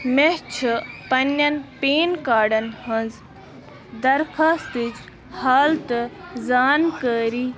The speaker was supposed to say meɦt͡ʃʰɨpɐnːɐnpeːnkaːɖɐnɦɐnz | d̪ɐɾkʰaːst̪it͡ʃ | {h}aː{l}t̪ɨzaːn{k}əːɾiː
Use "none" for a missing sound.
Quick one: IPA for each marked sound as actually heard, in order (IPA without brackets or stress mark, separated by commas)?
h, l, k